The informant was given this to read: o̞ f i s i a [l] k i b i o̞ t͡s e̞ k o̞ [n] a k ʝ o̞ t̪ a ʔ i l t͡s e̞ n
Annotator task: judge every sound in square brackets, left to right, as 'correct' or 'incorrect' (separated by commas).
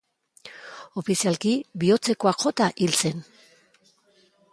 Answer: correct, incorrect